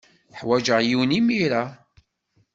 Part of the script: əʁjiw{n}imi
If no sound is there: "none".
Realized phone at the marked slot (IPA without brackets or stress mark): n